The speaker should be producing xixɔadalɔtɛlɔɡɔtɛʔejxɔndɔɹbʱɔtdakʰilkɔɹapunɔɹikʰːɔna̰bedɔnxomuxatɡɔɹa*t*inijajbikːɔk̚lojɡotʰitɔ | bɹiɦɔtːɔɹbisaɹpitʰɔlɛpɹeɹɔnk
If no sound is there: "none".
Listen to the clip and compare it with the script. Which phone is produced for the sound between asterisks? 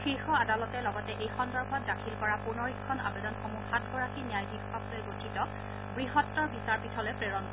k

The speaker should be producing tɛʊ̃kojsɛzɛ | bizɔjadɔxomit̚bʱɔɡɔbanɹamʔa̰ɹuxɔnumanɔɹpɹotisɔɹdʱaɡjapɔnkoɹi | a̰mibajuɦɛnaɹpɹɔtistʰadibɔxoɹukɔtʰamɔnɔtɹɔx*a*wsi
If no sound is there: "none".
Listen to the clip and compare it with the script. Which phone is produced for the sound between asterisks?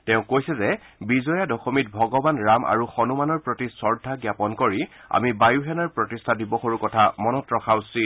a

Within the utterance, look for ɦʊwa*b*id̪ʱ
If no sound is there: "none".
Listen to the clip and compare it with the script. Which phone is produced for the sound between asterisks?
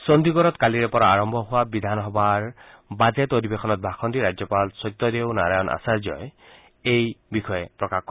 b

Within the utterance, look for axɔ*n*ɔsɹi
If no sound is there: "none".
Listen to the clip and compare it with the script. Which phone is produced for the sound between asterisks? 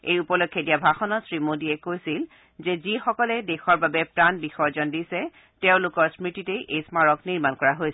n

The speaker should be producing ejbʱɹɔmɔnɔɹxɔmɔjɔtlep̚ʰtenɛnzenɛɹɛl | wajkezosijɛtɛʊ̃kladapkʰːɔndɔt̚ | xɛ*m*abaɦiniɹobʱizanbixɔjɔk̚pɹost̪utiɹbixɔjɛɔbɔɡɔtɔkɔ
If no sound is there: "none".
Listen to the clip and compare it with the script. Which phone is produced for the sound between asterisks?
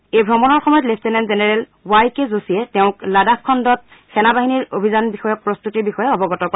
n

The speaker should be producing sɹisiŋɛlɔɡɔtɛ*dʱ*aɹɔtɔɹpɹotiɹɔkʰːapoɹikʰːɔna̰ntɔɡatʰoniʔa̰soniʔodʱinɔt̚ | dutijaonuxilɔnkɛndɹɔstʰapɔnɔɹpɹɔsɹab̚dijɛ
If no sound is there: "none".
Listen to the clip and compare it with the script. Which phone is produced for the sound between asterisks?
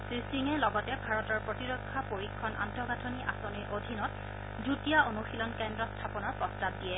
bʱ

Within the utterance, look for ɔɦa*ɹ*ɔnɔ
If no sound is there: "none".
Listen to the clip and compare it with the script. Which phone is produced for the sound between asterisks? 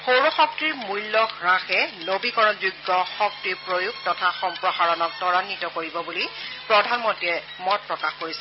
ɹ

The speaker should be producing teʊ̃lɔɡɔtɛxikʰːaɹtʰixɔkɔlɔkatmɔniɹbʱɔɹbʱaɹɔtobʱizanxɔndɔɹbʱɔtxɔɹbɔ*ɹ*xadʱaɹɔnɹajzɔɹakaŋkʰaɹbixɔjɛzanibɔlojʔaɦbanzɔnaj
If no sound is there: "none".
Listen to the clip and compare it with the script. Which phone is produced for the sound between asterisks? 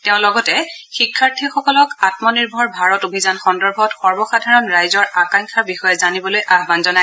none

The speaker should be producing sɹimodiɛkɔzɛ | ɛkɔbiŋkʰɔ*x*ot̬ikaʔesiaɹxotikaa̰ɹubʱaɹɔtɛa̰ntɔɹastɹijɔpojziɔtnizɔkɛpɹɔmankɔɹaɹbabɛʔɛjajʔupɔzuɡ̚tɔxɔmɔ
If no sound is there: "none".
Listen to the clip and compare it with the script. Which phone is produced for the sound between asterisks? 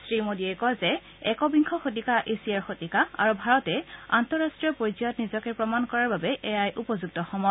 x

